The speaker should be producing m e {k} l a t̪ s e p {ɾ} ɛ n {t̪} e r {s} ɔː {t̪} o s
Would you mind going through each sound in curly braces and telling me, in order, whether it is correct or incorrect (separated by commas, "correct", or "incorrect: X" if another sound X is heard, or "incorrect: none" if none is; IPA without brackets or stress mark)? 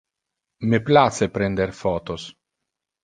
incorrect: p, correct, incorrect: d̪, incorrect: f, correct